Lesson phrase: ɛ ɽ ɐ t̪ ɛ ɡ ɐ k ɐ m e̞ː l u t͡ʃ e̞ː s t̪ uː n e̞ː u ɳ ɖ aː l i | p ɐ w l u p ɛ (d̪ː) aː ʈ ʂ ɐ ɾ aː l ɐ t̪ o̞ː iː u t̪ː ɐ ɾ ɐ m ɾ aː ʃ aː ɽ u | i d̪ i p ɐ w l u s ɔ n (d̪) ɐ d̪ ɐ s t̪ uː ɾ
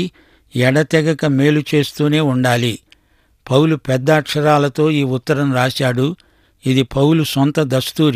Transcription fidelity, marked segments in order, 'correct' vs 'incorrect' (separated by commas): correct, incorrect